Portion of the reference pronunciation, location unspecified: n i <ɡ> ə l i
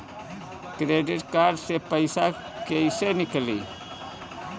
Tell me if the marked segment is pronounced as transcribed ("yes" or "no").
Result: no